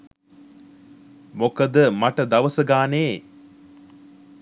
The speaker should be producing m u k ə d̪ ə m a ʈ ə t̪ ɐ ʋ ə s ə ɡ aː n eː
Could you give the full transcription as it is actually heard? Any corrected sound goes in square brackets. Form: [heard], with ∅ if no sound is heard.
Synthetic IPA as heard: m [o] k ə d̪ ə m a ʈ ə [d̪] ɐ ʋ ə s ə ɡ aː n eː